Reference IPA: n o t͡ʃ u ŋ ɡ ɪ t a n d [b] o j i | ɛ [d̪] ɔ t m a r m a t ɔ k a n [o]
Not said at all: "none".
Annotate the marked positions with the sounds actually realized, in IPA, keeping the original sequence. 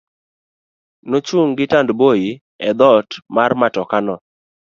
b, d̪, ɔ

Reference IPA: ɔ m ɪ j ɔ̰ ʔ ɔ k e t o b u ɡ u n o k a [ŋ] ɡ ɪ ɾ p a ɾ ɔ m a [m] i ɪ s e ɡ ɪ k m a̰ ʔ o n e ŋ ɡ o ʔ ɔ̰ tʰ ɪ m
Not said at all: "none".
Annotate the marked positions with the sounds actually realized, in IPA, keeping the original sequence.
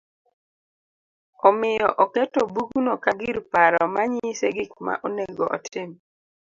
none, ɲ

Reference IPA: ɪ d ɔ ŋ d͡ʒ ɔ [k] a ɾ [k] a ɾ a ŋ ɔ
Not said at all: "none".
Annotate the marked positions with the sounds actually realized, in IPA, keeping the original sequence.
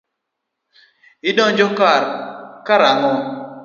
k, k

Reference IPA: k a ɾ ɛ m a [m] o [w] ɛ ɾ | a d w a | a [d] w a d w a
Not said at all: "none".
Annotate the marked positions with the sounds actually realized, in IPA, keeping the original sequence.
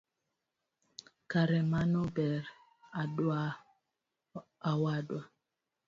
n, b, none

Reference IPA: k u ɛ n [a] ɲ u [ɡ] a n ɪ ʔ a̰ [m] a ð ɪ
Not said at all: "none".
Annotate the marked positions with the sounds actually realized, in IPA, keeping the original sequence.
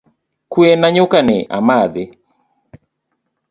a, k, m

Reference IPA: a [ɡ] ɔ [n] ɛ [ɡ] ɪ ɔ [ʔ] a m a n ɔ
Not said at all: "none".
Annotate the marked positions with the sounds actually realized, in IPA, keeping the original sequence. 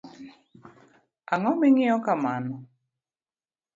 ŋ, m, ŋ, k

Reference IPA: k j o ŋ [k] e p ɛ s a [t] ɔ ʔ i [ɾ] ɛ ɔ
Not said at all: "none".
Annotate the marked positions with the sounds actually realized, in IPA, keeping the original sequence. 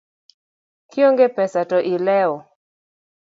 ɡ, t, l

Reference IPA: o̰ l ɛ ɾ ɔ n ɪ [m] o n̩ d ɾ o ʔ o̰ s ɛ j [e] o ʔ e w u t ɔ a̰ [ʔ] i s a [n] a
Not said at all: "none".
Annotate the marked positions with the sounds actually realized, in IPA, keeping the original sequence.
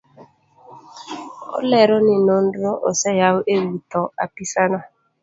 n, a, p, n

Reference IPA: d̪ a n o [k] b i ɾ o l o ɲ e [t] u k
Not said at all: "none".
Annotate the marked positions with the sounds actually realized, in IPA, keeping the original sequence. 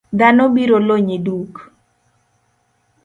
none, d

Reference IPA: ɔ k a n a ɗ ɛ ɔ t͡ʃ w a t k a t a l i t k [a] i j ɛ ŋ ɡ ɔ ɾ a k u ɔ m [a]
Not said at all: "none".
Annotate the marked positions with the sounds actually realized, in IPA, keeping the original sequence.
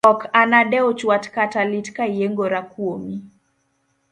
a, i

